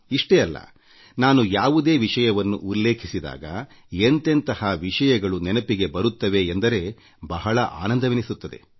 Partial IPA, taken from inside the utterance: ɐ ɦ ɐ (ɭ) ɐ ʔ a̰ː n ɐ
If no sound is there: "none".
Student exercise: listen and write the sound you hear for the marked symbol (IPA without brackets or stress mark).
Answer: ɭ